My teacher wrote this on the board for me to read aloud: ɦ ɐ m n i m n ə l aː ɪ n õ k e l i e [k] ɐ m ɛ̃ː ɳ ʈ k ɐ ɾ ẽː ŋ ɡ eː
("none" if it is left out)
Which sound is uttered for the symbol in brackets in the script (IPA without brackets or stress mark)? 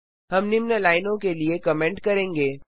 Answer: k